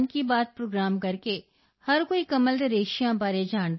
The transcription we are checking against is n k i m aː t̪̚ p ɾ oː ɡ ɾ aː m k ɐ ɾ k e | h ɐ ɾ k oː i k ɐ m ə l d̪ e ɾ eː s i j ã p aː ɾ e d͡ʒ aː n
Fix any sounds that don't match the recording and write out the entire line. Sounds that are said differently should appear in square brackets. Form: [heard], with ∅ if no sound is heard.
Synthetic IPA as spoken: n k i [b] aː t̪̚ p ɾ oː ɡ ɾ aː m k ɐ ɾ k e | h ɐ ɾ k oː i k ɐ m ə l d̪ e ɾ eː [ʃ] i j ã [b] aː ɾ e d͡ʒ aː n

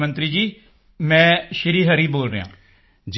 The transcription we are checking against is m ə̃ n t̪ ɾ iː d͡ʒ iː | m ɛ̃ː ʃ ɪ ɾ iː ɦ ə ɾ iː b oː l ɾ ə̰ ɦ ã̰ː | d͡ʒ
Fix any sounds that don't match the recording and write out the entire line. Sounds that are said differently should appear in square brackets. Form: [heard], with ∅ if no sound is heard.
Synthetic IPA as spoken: m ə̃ n t̪ ɾ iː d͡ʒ iː | m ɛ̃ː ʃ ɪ ɾ iː ɦ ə ɾ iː b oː l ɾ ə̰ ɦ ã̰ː | d͡ʒ

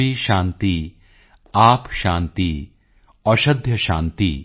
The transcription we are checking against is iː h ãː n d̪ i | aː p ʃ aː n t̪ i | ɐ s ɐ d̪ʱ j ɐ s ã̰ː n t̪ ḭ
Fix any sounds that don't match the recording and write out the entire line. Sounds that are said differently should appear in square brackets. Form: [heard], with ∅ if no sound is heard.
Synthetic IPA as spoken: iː [ʃ] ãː n [t̪] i | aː p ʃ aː n t̪ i | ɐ [ʃ] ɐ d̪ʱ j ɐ [ʃ] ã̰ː n t̪ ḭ

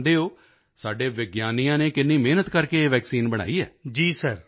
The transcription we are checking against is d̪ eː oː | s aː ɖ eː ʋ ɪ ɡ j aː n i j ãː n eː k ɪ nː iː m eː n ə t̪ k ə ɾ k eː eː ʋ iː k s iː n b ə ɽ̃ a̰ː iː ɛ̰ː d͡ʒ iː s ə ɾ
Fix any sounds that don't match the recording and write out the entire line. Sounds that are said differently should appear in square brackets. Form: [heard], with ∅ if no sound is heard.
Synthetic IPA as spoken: d̪ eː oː | s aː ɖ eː ʋ ɪ ɡ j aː n i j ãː n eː k ɪ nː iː m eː n ə t̪ k ə ɾ k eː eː ʋ [ɛː] k s iː n b ə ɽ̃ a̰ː iː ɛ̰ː d͡ʒ iː s ə ɾ

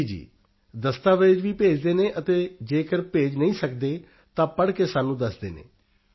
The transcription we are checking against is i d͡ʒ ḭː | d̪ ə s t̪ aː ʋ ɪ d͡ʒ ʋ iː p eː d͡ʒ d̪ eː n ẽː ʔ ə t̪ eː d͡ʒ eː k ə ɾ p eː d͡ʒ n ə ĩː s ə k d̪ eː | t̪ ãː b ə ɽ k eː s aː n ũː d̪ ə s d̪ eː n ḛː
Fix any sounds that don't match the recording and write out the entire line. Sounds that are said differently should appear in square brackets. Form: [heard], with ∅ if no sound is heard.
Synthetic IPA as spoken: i d͡ʒ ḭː | d̪ ə s t̪ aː ʋ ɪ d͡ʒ ʋ iː p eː d͡ʒ d̪ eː n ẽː ʔ ə t̪ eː d͡ʒ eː k ə ɾ p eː d͡ʒ n ə ĩː s ə k d̪ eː | t̪ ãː [p] ə ɽ k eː s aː n ũː d̪ ə s d̪ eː n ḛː

